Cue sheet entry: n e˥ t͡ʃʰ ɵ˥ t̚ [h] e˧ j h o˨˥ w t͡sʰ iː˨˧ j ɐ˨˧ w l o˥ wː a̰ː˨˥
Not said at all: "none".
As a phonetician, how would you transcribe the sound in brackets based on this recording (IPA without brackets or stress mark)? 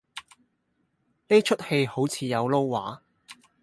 h